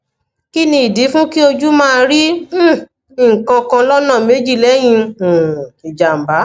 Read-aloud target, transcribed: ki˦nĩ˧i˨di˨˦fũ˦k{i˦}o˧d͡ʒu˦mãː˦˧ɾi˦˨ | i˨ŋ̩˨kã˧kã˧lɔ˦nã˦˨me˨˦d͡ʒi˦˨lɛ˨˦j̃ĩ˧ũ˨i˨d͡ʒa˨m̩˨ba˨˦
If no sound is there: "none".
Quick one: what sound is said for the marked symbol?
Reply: i˦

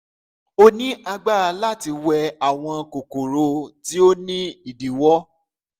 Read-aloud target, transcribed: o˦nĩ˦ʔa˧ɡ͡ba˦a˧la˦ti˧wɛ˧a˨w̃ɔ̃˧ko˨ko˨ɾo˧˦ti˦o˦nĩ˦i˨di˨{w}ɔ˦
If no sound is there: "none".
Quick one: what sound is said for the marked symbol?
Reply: w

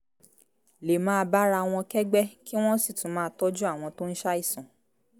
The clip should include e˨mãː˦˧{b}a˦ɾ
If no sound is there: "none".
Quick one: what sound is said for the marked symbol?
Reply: b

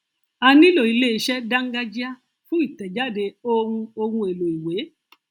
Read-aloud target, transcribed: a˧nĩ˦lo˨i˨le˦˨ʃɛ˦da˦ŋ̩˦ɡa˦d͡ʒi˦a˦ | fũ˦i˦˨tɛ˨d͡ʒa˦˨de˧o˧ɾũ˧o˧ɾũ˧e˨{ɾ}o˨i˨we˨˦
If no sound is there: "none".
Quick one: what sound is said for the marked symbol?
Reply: l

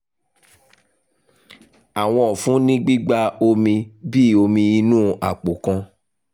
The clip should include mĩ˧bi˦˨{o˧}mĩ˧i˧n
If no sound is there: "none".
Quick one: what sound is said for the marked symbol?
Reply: o˧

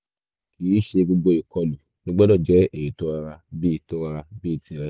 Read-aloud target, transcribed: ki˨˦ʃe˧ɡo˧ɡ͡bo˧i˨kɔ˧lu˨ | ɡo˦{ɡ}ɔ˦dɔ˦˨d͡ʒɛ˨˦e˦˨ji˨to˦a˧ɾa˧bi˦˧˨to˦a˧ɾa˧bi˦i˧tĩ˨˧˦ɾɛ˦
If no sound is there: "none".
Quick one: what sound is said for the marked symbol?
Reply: ɡ͡b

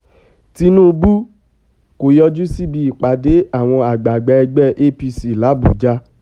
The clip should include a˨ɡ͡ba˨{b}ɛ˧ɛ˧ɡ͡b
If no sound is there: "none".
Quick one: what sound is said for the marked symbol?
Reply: ɡ͡b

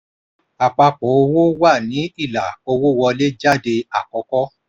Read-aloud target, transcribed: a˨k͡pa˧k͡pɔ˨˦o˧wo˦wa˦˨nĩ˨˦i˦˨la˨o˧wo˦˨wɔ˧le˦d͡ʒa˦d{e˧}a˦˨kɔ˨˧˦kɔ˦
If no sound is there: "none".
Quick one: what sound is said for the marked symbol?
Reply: e˧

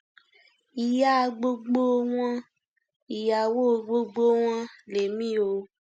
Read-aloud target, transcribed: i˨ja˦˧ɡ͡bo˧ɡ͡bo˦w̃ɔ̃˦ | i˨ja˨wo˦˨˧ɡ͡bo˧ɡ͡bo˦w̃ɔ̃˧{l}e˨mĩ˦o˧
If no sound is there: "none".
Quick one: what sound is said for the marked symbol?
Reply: l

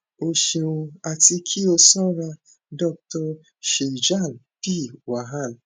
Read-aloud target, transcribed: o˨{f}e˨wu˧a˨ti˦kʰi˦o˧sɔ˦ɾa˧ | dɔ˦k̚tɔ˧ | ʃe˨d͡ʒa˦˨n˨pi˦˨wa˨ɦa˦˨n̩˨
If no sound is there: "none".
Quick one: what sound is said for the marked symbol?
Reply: ʃ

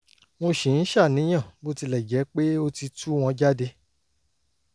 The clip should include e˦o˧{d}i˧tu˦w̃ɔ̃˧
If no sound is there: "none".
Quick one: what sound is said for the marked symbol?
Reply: t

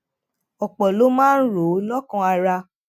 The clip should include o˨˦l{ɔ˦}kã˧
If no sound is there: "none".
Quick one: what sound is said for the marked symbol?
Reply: ɔ˦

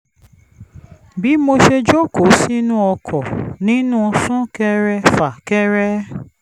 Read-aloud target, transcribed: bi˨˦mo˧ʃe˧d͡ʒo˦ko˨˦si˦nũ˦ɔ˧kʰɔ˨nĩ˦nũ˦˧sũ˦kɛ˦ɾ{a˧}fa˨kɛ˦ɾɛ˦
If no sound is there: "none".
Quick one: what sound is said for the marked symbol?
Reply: ɛ˧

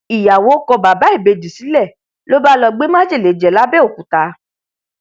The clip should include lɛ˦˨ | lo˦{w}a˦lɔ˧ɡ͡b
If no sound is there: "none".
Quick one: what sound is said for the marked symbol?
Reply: b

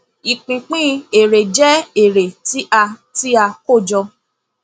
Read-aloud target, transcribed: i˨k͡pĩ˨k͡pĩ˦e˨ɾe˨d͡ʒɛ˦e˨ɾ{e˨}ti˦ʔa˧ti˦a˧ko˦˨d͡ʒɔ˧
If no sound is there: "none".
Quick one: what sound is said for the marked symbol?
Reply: e˨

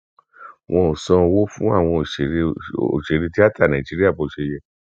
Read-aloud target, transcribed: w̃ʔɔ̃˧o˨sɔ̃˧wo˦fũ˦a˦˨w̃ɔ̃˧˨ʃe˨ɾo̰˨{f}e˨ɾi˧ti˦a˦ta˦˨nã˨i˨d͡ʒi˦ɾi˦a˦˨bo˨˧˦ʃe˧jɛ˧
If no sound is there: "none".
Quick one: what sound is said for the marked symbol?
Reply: ʃ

